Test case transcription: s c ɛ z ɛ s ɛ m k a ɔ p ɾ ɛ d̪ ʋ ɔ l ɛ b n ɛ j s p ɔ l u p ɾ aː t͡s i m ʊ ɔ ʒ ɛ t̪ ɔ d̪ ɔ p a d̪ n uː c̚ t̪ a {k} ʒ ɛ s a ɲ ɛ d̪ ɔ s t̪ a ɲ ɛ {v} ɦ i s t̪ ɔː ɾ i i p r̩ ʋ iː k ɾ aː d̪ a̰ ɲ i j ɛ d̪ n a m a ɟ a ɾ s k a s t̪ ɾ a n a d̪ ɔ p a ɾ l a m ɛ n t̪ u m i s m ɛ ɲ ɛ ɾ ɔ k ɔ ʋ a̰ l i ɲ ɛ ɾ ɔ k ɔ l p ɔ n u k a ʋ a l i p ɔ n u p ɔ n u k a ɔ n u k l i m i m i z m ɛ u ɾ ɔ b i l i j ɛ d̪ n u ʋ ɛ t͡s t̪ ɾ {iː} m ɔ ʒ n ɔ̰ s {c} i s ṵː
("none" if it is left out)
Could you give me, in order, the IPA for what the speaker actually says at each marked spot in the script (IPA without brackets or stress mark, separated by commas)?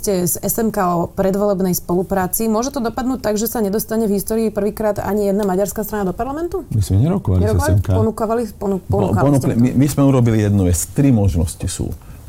ɡ, v, i, c